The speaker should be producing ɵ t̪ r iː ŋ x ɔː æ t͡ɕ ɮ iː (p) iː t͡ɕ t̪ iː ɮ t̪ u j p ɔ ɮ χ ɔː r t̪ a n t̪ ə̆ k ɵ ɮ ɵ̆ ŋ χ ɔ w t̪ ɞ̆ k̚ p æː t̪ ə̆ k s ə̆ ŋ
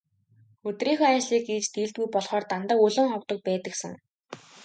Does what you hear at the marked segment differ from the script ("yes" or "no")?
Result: yes